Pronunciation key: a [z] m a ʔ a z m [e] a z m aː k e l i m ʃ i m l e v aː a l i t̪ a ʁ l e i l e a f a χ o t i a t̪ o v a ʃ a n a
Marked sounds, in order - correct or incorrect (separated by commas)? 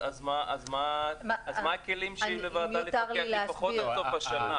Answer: correct, incorrect